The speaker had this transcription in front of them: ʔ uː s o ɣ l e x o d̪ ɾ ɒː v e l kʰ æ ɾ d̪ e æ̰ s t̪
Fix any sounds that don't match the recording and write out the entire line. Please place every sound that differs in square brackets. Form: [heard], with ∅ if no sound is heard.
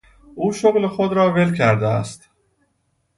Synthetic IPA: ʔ uː [ʃ] o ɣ l e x o d̪ ɾ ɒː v e l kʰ æ ɾ d̪ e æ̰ s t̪